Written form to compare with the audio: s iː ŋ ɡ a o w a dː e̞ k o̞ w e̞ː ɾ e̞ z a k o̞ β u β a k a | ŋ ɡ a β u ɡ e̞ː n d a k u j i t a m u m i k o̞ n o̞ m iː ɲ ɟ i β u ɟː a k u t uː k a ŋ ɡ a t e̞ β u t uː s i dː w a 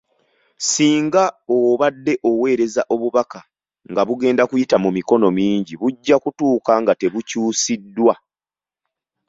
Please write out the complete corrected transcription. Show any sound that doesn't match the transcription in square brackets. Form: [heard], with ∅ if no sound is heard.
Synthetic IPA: s iː ŋ ɡ a o [β] a dː e̞ [ʔ] o̞ w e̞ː ɾ e̞ z a [ʔ] o̞ β u β a k a | ŋ ɡ a β u ɡ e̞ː n d a k u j i t a m u m i k o̞ n o̞ m iː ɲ ɟ i β u ɟː a k u t uː k a ŋ ɡ a t e̞ β u [c] uː s i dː w a